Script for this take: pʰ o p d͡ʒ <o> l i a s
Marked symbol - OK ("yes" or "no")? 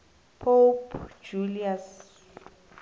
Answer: no